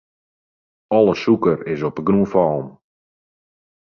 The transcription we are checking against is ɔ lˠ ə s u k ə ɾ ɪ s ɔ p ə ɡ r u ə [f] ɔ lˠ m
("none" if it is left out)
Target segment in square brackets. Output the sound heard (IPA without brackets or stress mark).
f